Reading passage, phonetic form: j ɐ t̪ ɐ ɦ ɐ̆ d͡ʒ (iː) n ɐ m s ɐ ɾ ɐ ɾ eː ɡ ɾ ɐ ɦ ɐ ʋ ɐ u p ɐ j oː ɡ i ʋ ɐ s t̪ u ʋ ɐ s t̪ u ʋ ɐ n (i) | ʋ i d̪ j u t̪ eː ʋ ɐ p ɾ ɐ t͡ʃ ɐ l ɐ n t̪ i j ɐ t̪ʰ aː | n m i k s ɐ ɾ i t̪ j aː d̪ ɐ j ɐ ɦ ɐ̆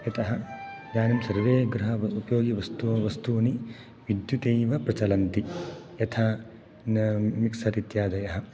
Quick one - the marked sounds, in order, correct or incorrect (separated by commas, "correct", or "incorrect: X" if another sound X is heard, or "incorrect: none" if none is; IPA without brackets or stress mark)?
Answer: incorrect: aː, correct